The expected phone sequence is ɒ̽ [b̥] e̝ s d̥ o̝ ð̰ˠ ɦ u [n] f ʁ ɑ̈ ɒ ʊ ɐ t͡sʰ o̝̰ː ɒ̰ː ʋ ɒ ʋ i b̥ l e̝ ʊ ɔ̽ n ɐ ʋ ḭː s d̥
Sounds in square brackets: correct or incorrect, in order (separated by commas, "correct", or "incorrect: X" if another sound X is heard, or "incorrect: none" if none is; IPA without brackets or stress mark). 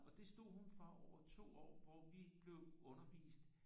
incorrect: d̥, correct